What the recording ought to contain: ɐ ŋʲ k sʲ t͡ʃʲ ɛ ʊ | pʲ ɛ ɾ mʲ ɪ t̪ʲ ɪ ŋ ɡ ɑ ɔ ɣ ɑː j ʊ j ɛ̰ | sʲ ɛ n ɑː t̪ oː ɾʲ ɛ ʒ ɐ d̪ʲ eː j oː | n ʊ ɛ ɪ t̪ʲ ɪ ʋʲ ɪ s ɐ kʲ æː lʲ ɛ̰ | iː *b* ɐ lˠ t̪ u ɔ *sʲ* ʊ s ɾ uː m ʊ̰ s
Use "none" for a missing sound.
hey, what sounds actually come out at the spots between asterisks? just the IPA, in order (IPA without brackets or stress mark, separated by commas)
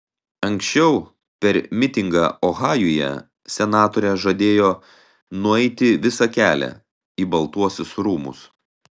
b, sʲ